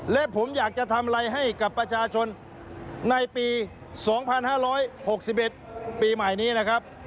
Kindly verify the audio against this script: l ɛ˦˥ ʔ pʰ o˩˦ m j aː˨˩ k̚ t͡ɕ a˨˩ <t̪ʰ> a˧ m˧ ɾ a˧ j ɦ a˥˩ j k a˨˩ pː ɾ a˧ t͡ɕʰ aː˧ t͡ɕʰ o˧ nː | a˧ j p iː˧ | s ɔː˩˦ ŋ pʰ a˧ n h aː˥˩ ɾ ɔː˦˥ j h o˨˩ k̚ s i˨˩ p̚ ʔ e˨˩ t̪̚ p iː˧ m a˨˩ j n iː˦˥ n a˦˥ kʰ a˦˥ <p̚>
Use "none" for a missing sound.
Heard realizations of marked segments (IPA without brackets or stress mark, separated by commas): t̪ʰ, p̚